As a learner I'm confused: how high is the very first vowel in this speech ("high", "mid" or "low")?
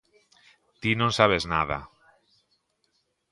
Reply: high